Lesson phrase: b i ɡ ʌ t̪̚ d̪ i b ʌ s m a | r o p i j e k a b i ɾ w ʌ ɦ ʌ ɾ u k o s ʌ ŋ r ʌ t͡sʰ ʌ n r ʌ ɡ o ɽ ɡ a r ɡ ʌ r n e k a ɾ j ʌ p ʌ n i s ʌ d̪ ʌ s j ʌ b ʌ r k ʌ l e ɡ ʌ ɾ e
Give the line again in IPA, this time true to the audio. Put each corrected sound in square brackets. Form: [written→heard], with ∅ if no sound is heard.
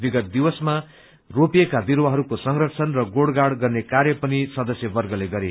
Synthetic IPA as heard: b i ɡ ʌ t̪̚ d̪ i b ʌ s m a | r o p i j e k a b i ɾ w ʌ ɦ ʌ ɾ u k o s ʌ ŋ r ʌ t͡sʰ ʌ n r ʌ ɡ o ɽ ɡ a [r→ɽ] ɡ ʌ r n e k a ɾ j ʌ p ʌ n i s ʌ d̪ ʌ s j ʌ b ʌ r [k→ɡ] ʌ l e ɡ ʌ ɾ e